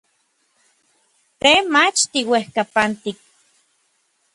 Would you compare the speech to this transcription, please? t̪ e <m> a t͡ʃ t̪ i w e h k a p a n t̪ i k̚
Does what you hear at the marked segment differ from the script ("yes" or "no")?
no